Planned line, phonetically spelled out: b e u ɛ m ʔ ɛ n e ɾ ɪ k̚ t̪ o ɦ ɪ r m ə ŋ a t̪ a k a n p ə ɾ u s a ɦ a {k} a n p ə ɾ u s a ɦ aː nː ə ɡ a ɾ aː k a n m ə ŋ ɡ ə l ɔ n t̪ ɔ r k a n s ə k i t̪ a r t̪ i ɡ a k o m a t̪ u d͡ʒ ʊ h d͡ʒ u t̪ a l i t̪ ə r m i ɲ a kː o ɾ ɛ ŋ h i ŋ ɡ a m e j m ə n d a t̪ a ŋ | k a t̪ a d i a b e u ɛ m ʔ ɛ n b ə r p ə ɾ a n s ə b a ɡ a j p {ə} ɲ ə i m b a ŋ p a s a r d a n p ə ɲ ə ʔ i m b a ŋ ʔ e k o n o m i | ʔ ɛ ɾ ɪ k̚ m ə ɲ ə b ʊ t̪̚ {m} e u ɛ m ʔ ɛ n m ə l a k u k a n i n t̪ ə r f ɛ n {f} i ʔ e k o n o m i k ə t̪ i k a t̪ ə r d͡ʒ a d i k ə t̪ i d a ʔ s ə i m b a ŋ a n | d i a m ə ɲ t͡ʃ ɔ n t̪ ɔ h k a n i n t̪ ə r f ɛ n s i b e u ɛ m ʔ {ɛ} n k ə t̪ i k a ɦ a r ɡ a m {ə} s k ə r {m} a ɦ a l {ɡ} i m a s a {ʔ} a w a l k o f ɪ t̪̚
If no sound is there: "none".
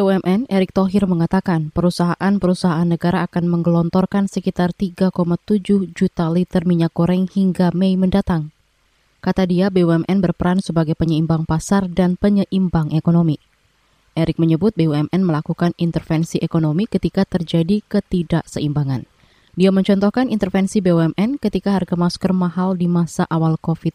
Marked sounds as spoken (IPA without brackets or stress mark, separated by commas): ʔ, ə, b, s, ɛ, a, m, d, ʔ